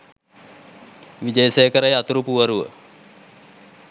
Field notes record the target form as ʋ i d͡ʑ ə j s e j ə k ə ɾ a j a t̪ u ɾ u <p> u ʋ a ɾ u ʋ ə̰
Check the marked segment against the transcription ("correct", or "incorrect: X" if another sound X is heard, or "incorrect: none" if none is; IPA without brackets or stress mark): correct